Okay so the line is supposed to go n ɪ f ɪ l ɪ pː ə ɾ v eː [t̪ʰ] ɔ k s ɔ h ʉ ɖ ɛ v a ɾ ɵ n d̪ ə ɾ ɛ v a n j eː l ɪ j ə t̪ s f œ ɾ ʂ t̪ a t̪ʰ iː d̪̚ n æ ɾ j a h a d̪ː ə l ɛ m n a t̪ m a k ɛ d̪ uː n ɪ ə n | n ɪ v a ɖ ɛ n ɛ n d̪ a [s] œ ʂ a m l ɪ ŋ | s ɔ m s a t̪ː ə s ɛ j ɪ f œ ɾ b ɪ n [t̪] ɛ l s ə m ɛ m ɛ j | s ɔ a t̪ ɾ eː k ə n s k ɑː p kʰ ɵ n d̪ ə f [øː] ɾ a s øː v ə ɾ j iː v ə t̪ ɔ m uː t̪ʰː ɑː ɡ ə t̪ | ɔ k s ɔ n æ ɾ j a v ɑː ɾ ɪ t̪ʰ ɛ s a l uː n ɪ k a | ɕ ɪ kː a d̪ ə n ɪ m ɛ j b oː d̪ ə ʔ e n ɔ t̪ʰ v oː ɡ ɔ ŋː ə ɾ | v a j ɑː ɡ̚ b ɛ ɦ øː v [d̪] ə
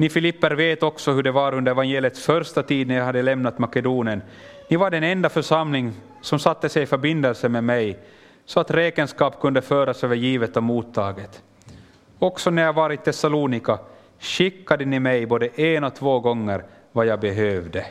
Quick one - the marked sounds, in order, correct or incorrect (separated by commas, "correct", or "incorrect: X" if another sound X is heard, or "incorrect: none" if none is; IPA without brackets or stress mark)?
incorrect: t̪, incorrect: f, incorrect: d̪, correct, correct